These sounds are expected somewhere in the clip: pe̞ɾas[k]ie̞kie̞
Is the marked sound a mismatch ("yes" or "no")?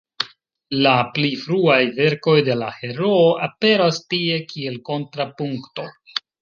yes